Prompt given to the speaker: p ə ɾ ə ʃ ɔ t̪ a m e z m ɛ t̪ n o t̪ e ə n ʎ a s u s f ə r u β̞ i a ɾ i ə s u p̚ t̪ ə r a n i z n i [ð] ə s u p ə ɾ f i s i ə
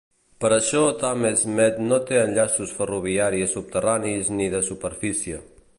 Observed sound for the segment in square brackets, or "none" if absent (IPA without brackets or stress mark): ð